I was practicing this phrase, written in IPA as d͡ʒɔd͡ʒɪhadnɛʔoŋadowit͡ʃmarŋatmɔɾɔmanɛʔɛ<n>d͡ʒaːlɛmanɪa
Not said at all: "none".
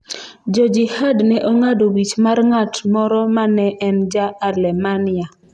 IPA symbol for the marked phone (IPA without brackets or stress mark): n